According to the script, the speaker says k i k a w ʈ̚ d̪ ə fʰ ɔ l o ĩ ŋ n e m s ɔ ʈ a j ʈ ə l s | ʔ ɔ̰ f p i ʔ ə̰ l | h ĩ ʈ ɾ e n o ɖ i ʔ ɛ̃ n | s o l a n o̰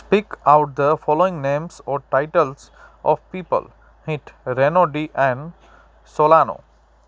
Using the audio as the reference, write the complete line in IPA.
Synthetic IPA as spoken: p i k a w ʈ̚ d̪ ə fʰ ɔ l o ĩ ŋ n e m s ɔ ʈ a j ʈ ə l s | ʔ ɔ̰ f p i p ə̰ l | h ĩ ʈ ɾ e n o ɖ i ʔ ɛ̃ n | s o l a n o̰